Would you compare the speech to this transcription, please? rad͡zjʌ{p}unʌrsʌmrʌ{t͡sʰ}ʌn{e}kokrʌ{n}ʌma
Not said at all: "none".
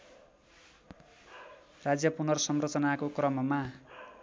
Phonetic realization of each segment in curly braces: p, t͡s, a, m

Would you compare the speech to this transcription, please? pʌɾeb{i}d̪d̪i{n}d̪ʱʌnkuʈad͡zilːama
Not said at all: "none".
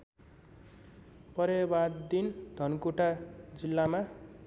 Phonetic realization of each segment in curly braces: a, n

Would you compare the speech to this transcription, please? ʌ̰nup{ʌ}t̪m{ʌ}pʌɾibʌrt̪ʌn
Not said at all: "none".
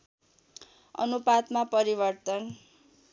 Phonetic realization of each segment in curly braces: a, a

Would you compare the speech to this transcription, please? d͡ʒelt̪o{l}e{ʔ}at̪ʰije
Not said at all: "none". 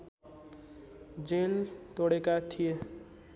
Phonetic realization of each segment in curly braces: ɽ, k

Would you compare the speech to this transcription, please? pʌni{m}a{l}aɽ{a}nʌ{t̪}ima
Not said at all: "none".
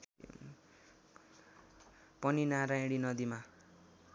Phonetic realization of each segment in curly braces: n, ɾ, i, d̪

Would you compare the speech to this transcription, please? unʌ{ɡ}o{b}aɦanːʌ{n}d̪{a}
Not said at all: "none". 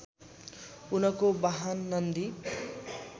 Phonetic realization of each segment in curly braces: k, b, n, i

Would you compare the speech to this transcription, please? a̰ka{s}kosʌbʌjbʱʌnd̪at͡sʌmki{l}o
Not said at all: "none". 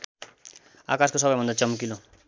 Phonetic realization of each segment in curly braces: s, l

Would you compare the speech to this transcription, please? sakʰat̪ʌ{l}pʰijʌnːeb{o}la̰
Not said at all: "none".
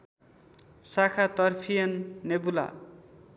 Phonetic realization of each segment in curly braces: r, u

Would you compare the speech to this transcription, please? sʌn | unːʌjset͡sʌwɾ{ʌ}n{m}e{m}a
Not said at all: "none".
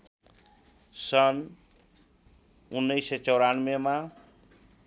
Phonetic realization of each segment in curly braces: a, m, m

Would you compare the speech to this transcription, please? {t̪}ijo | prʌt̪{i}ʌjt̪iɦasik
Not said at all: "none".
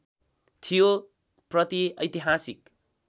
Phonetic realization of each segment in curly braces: t̪ʰ, i

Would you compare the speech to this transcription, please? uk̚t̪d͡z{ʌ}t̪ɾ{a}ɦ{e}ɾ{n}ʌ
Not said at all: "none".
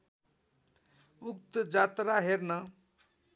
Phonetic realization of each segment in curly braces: a, a, e, n

